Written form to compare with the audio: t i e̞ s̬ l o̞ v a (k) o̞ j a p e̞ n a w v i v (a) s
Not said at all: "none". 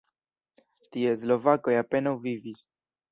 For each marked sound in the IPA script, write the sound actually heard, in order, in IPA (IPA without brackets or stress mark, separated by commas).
k, i